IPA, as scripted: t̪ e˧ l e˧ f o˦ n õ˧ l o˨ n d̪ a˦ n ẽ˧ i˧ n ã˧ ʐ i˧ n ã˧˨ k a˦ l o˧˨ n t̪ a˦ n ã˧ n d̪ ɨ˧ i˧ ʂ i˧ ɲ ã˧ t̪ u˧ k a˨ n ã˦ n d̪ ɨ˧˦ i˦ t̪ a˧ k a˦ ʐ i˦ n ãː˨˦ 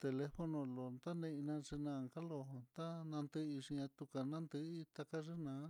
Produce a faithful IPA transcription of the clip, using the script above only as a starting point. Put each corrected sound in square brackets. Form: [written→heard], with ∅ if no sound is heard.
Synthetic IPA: t̪ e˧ l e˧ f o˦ n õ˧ l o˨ n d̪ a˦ n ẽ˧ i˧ n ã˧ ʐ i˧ n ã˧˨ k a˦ l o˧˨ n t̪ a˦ n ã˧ n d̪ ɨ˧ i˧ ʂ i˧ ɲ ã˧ t̪ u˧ k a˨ n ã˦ n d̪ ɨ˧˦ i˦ t̪ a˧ k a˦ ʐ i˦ n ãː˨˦